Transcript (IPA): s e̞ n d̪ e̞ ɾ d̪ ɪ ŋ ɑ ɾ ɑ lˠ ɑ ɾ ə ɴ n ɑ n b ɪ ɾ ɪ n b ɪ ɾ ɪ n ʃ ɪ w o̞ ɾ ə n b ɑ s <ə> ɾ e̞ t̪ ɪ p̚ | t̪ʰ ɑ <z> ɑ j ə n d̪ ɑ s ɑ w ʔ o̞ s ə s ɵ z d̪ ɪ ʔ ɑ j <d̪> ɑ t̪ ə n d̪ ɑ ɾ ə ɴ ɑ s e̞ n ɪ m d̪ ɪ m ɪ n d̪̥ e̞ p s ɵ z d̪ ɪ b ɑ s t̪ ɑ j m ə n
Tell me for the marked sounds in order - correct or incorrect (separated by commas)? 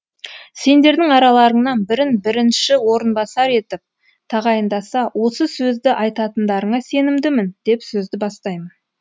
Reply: incorrect, incorrect, incorrect